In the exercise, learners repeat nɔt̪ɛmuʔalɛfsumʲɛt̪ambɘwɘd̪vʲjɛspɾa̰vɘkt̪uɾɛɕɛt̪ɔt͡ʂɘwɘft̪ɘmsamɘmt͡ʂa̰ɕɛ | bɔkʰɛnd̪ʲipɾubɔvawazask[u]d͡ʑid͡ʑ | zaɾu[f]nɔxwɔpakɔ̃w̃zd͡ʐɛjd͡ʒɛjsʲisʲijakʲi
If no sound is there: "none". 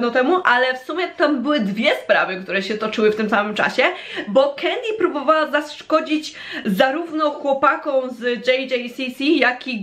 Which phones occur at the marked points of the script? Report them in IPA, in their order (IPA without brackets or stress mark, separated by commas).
ɔ, v